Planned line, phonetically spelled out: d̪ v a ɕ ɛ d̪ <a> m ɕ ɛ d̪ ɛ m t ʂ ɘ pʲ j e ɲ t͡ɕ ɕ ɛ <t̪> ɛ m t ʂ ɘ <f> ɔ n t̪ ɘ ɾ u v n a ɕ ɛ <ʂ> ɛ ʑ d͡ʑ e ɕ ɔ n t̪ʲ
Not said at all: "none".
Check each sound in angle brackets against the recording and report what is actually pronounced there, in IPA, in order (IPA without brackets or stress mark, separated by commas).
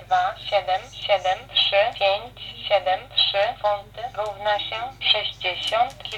ɛ, d̪, f, ʂ